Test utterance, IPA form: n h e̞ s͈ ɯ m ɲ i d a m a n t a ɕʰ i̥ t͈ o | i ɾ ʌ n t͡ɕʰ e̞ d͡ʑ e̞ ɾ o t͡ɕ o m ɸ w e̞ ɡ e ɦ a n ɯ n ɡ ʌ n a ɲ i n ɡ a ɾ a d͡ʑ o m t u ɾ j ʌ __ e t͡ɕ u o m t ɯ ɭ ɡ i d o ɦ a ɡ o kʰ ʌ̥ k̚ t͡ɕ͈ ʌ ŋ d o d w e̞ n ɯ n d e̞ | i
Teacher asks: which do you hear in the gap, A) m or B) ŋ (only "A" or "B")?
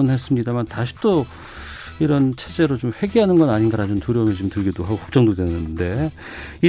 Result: A